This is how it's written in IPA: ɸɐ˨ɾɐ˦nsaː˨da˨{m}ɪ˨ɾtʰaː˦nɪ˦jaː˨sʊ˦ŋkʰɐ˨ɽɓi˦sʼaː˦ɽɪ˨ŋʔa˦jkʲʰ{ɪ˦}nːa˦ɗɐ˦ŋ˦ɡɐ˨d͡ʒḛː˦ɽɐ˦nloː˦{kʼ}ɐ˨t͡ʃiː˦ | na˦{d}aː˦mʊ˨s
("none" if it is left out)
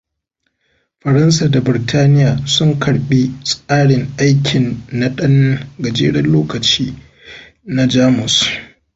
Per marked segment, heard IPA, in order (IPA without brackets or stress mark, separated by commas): b, ɪ˨, k, d͡ʒ